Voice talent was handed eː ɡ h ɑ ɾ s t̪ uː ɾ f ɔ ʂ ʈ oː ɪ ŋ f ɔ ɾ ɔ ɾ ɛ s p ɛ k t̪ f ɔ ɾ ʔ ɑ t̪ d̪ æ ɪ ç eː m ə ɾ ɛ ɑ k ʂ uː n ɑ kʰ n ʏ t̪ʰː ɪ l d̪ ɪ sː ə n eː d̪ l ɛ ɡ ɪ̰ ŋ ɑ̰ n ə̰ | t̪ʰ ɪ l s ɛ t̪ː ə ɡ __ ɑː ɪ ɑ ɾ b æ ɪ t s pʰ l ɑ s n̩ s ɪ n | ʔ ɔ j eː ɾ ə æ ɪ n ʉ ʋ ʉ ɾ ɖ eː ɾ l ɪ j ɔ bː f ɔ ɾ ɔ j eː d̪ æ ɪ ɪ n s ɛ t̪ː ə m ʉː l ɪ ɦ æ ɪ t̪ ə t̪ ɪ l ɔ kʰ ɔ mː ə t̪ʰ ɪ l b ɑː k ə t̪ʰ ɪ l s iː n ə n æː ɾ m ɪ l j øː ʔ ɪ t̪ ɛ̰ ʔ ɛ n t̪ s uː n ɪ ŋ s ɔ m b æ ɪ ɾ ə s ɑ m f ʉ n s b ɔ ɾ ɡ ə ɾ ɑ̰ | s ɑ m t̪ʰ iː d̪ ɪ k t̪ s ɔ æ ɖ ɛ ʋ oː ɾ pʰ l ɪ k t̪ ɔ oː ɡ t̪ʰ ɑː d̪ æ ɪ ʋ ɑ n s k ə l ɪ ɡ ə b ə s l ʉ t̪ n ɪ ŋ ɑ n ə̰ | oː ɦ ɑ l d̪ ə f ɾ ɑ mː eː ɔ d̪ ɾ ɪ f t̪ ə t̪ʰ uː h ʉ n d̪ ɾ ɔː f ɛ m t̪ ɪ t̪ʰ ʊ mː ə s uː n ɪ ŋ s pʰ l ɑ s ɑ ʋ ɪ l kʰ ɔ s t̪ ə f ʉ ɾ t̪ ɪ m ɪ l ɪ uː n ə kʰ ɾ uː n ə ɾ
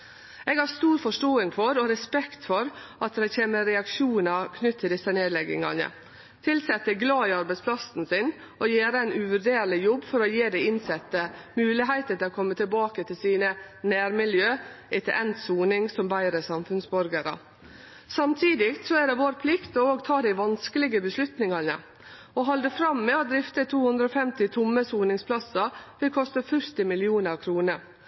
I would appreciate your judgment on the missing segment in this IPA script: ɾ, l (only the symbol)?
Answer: l